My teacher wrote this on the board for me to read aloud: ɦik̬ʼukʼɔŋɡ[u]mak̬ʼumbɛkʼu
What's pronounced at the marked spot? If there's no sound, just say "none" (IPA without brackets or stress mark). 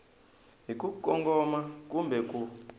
ɔ